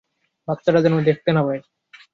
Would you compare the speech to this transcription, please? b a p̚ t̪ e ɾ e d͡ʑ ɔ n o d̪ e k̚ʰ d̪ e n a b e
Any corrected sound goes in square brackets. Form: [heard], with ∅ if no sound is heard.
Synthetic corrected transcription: b a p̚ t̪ [a] ɾ [a] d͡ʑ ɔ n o d̪ e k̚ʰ [t̪] e n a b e